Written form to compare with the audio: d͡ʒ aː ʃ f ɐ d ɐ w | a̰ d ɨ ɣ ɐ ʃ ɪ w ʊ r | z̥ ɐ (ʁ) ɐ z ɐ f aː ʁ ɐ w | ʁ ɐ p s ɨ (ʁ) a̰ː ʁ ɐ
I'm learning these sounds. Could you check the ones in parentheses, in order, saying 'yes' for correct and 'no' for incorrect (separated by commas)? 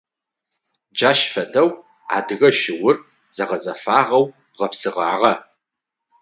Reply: yes, yes